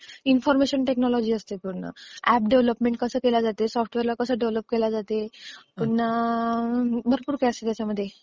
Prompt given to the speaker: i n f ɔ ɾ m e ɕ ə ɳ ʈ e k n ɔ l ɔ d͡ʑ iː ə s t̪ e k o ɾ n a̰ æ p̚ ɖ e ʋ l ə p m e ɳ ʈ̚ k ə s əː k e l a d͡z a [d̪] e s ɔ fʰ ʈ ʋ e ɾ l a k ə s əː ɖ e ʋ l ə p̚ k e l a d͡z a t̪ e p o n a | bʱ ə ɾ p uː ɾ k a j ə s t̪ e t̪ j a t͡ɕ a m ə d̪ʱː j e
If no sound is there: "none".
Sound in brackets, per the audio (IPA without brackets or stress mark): t̪